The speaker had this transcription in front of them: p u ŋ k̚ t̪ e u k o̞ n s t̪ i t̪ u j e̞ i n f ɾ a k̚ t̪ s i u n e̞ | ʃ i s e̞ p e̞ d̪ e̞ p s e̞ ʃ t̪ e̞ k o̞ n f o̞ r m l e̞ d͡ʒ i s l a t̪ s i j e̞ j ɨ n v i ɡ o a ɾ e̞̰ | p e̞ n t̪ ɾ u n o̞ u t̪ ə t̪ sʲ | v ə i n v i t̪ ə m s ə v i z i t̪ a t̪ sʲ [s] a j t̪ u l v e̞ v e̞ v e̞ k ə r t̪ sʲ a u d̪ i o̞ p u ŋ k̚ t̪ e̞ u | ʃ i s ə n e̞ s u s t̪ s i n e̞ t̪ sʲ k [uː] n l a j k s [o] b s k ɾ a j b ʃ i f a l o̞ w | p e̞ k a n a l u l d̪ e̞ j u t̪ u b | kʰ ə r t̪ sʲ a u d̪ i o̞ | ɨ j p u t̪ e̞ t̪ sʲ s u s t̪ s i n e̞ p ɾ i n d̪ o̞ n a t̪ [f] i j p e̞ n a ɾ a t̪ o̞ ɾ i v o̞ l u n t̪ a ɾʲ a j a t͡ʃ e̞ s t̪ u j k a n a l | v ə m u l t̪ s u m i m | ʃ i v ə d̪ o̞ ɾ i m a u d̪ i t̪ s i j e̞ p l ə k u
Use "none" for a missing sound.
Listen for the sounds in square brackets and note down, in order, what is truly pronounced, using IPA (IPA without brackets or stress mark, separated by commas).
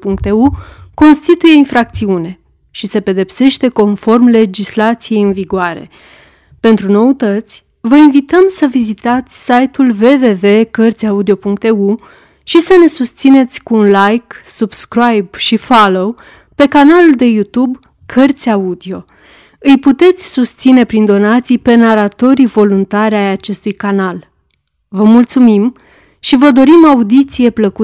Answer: s, uː, u, s